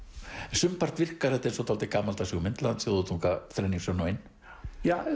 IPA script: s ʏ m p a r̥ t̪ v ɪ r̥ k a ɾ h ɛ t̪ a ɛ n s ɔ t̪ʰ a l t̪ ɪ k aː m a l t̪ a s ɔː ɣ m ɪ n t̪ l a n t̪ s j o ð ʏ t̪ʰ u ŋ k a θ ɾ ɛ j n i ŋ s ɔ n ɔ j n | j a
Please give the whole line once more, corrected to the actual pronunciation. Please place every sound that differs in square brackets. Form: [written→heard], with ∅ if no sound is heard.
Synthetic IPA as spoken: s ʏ m p a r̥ t̪ v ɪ r̥ k a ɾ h ɛ t̪ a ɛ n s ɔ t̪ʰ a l t̪ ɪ k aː m a l t̪ a s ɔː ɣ m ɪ n t̪ l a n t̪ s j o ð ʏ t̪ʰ u ŋ k a θ ɾ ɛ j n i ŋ s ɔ n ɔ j n | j a